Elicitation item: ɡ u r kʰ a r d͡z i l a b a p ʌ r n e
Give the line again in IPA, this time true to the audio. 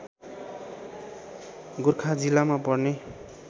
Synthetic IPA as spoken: ɡ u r kʰ a d͡z i l a m a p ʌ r n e